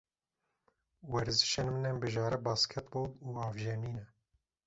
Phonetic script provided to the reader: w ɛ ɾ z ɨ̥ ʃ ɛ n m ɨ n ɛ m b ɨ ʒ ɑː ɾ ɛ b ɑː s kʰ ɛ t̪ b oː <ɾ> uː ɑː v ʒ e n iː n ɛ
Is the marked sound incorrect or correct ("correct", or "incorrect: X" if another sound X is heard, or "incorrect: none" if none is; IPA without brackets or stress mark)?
incorrect: l